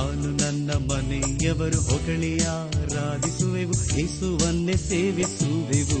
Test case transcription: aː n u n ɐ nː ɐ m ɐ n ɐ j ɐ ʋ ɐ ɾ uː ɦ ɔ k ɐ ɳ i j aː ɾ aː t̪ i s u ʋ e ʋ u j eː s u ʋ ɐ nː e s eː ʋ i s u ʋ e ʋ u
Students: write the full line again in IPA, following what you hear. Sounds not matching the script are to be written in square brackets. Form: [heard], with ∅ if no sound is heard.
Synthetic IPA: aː n u n ɐ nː ɐ m ɐ n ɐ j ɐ ʋ ɐ ɾ [u] ɦ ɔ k ɐ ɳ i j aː ɾ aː [d̪] i s u ʋ e ʋ u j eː s u ʋ ɐ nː e s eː ʋ i s u ʋ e ʋ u